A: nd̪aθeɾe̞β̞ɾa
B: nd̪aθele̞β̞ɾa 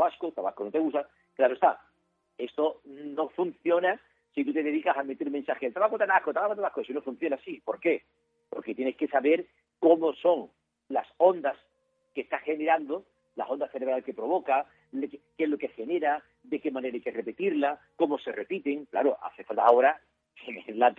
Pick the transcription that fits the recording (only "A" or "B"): A